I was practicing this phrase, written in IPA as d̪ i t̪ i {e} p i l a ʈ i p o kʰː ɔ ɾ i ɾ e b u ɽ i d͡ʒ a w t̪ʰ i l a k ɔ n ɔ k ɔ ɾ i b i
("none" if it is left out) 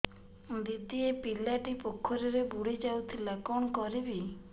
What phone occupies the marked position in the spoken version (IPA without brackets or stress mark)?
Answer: e